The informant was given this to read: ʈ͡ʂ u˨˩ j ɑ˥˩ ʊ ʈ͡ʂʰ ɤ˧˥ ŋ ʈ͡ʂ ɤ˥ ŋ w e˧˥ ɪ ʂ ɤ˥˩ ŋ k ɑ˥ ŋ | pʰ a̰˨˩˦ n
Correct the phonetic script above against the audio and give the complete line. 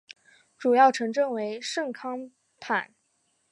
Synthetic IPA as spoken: ʈ͡ʂ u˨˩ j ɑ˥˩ ʊ ʈ͡ʂʰ ɤ˧˥ ŋ ʈ͡ʂ ɤ˥˩ ŋ w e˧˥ ɪ ʂ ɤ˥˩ ŋ kʰ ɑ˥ ŋ | pʰ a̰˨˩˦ n